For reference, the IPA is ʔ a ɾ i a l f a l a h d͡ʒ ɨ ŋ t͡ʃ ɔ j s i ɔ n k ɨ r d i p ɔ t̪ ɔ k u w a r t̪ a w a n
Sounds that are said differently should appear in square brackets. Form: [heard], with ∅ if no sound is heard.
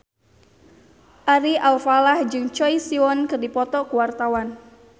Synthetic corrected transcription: ʔ a ɾ i a l f a l a h d͡ʒ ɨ ŋ t͡ʃ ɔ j s i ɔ n k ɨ r d i p ɔ t̪ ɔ k u w a r t̪ a w a n